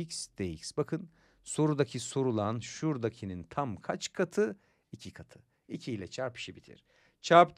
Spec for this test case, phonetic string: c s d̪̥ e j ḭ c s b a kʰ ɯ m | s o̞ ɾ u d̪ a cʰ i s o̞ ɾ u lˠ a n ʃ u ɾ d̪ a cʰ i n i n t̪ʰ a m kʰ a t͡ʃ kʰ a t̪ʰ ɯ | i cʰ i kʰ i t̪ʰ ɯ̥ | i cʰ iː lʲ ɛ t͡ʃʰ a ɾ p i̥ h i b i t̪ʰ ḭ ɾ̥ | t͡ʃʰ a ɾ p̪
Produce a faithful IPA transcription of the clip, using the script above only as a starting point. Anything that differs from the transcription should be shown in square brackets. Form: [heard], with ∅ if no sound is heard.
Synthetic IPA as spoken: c s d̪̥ e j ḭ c s b a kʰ ɯ [n] | s o̞ ɾ u d̪ a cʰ i s o̞ ɾ u lˠ a n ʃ u ɾ d̪ a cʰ i n i n t̪ʰ a m kʰ a t͡ʃ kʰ a t̪ʰ ɯ | i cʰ i kʰ [a] t̪ʰ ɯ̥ | i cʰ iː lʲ ɛ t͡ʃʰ a ɾ p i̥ [ʃ] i b i t̪ʰ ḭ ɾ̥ | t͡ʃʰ a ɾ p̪

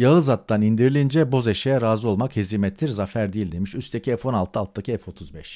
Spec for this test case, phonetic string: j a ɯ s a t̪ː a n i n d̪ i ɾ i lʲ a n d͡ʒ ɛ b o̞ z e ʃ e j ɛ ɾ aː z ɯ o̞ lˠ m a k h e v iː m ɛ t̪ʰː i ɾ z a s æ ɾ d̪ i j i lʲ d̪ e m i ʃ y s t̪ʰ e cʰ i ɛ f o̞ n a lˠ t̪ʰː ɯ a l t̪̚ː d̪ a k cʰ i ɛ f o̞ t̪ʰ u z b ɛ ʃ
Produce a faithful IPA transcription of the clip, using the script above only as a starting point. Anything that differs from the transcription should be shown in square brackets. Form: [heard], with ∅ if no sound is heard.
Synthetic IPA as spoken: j a ɯ [z] a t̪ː a n i n d̪ i ɾ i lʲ [i] n d͡ʒ ɛ b o̞ z e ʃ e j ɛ ɾ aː z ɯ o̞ lˠ m a k h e [z] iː m ɛ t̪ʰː i ɾ z a [f] æ ɾ d̪ i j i lʲ d̪ e m i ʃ y s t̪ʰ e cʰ i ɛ f o̞ n a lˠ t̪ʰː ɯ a l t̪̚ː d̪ a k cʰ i ɛ f o̞ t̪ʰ u z b ɛ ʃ

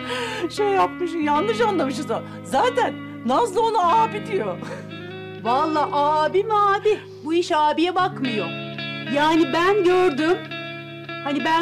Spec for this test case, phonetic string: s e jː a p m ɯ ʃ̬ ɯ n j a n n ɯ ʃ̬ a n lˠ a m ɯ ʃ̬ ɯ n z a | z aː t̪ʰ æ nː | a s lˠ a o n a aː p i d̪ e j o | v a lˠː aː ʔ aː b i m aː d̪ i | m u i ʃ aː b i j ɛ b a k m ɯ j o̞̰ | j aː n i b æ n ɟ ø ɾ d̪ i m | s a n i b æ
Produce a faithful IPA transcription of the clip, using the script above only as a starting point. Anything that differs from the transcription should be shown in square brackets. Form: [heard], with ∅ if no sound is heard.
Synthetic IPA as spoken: [ʃ] e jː a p m ɯ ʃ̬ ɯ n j a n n ɯ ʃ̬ a n lˠ a m ɯ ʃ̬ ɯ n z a | z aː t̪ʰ æ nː | a s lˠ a o n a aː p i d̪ [i] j o | v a lˠː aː ʔ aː b i m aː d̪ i | [b] u i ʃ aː b i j ɛ b a k m ɯ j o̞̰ | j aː n i b æ n ɟ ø ɾ d̪ [y] m | [h] a n i b æ

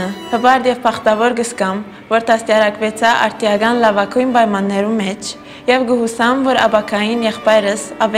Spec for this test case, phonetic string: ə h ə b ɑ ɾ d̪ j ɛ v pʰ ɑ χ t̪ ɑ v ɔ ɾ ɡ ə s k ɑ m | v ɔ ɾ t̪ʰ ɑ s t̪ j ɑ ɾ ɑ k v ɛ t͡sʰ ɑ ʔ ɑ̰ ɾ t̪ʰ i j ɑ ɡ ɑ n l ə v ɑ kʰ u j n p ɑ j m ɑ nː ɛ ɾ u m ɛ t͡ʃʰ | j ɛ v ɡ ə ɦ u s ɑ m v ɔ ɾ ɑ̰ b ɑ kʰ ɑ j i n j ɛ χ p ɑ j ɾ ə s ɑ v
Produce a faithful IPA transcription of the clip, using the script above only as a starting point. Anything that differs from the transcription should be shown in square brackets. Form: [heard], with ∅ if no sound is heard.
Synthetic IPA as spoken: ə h ə b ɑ ɾ d̪ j ɛ v pʰ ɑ χ t̪ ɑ v ɔ ɾ ɡ ə s k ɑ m | v ɔ ɾ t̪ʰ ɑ s t̪ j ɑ ɾ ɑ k v ɛ t͡sʰ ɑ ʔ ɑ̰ ɾ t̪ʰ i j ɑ ɡ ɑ n l [ɑ] v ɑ kʰ u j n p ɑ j m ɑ nː ɛ ɾ u m ɛ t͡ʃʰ | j ɛ v ɡ ə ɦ u s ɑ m v ɔ ɾ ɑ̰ b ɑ kʰ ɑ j i n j ɛ χ p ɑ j ɾ ə s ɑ v

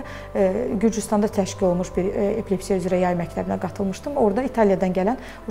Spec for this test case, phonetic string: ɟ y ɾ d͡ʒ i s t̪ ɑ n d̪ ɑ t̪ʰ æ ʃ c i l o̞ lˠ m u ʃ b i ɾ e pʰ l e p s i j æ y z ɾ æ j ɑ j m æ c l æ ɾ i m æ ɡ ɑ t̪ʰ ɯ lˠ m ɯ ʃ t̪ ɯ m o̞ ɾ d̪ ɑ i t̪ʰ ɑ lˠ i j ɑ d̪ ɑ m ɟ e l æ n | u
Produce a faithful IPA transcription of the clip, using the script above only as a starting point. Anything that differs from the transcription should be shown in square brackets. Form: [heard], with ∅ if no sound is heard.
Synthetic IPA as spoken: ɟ y ɾ d͡ʒ [y] s t̪ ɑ n d̪ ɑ t̪ʰ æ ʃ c i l o̞ lˠ m u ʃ b i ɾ e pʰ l e p s i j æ y z ɾ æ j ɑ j m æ c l æ ɾ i [n] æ ɡ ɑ t̪ʰ ɯ lˠ m ɯ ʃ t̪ ɯ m o̞ ɾ d̪ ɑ i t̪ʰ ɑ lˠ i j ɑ d̪ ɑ [n] ɟ [æ] l æ n | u

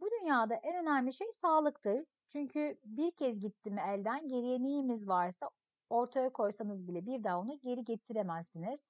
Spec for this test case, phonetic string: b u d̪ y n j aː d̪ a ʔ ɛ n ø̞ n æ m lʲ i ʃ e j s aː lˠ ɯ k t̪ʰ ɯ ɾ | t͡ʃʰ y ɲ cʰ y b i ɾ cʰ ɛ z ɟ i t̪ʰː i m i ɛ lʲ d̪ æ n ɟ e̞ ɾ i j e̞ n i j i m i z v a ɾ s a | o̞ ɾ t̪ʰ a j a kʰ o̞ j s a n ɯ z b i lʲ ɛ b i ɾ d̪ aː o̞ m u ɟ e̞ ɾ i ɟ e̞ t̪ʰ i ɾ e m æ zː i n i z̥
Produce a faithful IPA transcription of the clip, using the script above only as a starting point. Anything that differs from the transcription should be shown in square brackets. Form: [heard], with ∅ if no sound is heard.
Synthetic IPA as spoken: b u d̪ y n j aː d̪ a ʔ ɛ n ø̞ n æ m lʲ i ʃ e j s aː lˠ ɯ k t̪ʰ ɯ ɾ | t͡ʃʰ y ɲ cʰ y b i ɾ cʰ ɛ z ɟ i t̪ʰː i m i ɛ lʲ d̪ æ n ɟ e̞ ɾ i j e̞ n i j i m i z v a ɾ s a | o̞ ɾ t̪ʰ a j a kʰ o̞ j s a n ɯ z b i lʲ ɛ b i ɾ d̪ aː o̞ [n] u ɟ e̞ ɾ i ɟ e̞ t̪ʰ i ɾ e m æ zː i n i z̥

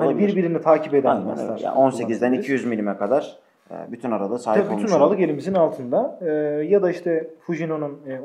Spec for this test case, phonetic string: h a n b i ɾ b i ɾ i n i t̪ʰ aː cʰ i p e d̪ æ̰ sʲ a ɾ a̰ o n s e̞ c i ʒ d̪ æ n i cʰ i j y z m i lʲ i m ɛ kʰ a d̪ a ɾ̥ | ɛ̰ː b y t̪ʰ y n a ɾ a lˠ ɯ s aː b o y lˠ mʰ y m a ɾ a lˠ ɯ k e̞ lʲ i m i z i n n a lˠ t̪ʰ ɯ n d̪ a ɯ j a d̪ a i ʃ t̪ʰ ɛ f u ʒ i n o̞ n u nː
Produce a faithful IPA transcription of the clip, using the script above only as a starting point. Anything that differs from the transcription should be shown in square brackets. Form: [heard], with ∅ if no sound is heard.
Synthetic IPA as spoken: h a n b i ɾ b i ɾ i n i t̪ʰ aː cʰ i p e d̪ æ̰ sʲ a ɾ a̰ o n s e̞ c i [z] d̪ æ n i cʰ i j y z m i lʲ i m ɛ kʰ a d̪ a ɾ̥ | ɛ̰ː b y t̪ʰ y n a ɾ a lˠ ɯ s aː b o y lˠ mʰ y [n] a ɾ a lˠ ɯ k e̞ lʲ i m i z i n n a lˠ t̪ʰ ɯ n d̪ a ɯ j a d̪ a i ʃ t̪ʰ ɛ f u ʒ i n o̞ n u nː

